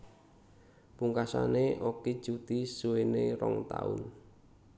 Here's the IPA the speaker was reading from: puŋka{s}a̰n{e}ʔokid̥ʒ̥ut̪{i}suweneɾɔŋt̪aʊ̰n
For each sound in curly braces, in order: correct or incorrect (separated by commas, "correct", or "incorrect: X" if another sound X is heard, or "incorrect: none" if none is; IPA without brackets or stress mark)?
correct, correct, correct